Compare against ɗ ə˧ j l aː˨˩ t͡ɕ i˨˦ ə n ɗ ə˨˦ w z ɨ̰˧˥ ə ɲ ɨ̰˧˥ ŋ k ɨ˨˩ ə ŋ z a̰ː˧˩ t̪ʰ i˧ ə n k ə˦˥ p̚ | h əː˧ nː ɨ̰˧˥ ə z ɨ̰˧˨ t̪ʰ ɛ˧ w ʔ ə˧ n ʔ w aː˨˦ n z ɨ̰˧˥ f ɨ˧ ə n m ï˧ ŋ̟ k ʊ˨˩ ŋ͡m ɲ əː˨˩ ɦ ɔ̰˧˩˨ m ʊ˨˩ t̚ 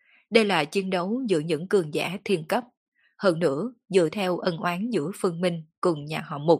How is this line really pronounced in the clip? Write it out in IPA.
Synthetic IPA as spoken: ɗ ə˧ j l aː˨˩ t͡ɕ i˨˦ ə n ɗ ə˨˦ w z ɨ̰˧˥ ə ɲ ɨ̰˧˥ ŋ k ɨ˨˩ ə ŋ z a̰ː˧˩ t̪ʰ i˧ ə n k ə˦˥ p̚ | h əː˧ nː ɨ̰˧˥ ə z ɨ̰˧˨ t̪ʰ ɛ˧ w ʔ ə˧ n ʔ w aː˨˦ n z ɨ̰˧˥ f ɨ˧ ə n m ï˧ ŋ̟ k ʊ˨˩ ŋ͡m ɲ aː˨˩ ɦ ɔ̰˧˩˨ m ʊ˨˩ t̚